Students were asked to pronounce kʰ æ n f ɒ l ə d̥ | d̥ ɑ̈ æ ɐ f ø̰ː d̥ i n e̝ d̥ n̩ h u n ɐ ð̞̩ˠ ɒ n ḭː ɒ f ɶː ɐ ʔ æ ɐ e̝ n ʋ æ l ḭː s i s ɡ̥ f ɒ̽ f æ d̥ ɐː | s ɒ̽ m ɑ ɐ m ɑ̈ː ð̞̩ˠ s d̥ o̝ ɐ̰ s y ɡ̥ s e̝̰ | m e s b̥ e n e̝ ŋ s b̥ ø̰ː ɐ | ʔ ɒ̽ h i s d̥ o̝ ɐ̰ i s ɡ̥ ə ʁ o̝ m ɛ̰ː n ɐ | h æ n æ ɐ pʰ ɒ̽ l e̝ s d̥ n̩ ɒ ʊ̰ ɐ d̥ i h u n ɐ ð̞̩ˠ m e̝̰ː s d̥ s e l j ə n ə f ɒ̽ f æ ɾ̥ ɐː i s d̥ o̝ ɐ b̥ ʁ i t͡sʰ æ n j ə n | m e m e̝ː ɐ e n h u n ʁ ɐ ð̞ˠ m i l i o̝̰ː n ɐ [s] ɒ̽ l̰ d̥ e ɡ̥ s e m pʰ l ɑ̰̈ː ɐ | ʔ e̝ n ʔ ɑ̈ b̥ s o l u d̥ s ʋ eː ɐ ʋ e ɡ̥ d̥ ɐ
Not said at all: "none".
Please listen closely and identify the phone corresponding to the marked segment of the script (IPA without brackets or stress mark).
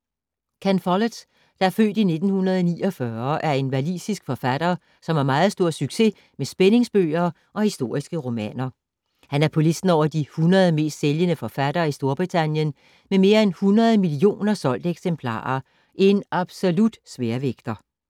s